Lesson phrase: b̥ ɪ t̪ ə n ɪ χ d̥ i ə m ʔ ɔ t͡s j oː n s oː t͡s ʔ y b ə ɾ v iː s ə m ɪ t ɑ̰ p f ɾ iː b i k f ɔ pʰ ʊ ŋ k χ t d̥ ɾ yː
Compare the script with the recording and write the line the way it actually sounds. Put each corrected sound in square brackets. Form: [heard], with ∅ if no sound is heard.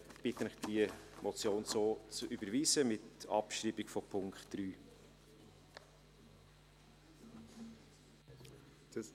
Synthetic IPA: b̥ ɪ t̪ ə n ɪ χ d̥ i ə m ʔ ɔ t͡s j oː n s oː t͡s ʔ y b ə ɾ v iː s ə m ɪ t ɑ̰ p [ʃ] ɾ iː b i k f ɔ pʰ ʊ ŋ k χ t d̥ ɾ yː

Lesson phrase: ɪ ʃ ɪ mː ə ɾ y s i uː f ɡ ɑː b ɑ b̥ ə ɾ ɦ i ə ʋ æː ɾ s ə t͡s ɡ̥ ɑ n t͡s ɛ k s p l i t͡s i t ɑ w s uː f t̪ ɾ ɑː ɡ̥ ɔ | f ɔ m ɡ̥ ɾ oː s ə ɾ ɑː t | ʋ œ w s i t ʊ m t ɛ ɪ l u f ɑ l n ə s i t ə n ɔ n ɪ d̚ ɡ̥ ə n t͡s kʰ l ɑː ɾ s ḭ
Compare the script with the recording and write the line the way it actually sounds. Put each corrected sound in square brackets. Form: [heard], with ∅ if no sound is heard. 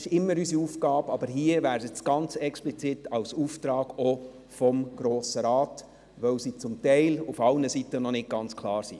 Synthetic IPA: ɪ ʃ ɪ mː ə ɾ y s i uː f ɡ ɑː b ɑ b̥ ə ɾ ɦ i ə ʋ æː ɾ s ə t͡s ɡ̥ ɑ n t͡s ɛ k s p l i t͡s i t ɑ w s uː f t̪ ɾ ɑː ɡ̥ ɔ | f ɔ m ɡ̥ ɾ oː s ə ɾ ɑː t | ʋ œ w s i [t͡s] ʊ m t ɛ ɪ l u f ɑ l n ə s i t ə n ɔ n ɪ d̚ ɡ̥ [ɑ] n t͡s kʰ l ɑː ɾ s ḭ

